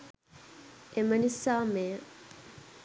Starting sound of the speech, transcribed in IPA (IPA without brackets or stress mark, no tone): e